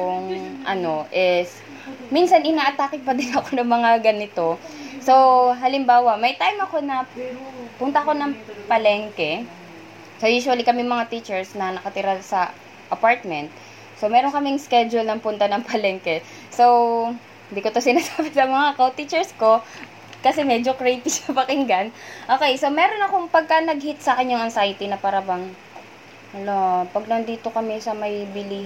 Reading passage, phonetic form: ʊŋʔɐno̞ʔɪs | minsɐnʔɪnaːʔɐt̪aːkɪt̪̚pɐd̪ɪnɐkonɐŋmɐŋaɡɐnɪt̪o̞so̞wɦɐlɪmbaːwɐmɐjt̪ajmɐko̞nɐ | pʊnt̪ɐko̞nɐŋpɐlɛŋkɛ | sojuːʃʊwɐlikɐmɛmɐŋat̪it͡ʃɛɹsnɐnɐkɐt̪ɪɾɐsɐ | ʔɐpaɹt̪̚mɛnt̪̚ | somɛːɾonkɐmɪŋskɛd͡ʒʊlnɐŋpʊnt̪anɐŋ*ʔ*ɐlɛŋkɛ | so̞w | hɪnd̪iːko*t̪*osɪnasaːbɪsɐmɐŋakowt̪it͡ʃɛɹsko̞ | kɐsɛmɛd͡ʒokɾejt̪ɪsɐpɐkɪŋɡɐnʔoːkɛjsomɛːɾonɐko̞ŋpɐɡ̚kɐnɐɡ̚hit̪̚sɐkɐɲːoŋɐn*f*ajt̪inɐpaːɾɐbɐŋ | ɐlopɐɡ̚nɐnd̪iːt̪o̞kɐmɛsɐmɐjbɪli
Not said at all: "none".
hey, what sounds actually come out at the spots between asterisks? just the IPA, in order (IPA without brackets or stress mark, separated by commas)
p, t̪, s